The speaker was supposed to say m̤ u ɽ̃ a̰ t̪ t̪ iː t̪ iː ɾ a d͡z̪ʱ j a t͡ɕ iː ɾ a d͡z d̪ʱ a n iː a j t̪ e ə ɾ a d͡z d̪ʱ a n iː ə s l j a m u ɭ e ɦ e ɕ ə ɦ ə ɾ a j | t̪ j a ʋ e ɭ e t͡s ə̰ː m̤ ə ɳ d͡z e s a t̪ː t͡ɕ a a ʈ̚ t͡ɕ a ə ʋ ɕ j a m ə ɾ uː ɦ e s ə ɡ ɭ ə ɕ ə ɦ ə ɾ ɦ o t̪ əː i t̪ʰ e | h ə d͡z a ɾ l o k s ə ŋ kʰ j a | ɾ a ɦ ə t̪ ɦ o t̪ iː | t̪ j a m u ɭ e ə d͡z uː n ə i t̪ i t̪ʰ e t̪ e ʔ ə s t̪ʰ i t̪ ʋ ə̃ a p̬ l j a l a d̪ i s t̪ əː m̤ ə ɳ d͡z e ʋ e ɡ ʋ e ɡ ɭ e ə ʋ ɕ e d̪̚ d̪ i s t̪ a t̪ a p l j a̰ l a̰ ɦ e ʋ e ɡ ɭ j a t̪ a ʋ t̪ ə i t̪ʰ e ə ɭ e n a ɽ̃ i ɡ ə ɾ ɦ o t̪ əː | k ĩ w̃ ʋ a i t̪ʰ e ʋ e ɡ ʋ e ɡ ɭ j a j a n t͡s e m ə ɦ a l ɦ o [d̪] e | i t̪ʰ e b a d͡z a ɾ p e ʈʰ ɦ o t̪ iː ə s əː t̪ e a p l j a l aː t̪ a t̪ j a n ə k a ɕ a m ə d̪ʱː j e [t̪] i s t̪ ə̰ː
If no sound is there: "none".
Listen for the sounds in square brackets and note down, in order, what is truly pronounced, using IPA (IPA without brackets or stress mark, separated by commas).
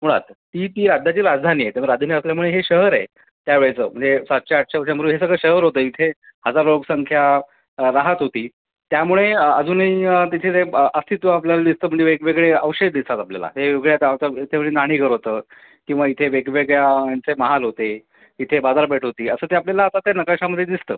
t̪, d̪